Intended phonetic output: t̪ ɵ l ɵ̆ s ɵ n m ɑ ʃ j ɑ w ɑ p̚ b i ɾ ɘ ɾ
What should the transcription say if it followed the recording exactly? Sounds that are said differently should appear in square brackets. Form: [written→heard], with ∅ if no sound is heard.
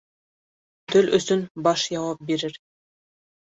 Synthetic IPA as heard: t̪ ɵ l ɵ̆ s ɵ n [m→b] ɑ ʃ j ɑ w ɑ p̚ b i ɾ ɘ ɾ